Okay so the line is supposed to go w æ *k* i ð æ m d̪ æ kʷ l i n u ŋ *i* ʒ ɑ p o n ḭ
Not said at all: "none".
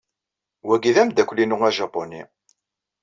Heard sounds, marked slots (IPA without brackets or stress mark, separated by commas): ɡ, æ